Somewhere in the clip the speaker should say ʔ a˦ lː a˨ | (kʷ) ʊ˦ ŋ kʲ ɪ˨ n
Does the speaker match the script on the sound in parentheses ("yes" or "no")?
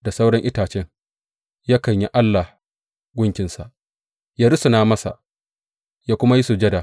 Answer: no